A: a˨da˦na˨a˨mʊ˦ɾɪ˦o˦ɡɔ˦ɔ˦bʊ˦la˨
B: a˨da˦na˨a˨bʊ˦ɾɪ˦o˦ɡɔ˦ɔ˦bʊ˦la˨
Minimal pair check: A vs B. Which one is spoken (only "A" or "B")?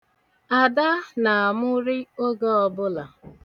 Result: A